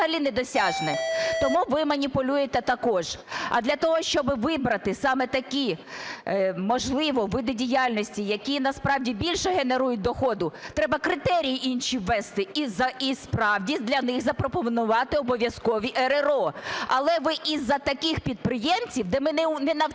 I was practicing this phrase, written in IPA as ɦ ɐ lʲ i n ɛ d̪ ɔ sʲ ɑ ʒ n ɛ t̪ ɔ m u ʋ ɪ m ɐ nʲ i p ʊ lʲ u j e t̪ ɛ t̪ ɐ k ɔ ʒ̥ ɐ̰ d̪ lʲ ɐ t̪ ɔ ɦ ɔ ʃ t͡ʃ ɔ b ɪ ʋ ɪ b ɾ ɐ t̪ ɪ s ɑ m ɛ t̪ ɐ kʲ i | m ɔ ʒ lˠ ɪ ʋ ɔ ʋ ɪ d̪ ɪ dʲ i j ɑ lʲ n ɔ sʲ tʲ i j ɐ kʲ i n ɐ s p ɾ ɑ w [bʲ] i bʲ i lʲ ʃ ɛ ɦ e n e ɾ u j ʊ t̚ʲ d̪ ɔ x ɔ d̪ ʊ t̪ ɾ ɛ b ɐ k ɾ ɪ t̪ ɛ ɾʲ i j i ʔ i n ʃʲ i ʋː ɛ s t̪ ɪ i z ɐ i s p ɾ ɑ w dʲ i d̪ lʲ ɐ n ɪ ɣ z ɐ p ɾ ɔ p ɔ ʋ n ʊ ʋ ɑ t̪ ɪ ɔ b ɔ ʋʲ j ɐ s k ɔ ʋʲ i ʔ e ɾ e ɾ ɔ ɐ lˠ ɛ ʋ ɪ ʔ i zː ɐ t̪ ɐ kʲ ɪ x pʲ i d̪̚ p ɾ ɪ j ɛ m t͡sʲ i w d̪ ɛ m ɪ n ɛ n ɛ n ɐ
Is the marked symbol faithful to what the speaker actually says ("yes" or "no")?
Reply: no